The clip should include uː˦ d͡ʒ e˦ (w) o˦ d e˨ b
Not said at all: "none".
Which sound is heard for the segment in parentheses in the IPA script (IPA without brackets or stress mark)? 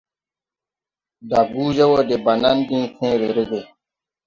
w